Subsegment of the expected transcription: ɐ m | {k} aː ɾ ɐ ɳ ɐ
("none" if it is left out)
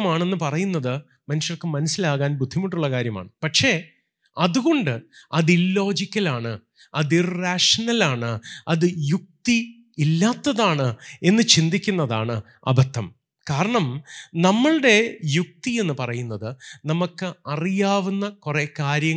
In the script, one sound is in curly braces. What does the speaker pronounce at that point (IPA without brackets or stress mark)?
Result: k